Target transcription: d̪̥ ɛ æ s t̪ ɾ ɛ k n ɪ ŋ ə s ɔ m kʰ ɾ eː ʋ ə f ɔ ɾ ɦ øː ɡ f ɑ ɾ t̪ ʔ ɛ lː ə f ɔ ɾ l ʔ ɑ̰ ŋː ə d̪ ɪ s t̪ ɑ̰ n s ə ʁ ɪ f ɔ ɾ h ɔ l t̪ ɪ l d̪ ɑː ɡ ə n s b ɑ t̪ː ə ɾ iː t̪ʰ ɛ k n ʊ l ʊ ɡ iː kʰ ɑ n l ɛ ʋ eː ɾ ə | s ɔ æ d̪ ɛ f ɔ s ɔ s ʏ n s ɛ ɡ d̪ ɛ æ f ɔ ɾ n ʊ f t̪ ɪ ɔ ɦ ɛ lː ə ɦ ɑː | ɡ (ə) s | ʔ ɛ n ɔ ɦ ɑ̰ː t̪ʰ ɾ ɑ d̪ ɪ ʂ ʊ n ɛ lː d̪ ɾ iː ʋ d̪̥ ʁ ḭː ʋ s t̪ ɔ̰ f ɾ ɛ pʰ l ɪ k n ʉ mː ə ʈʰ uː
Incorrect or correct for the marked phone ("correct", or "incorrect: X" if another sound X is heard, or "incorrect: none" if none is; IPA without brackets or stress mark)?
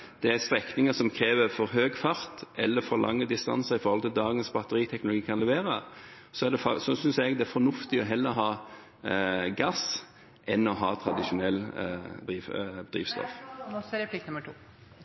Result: incorrect: ɑ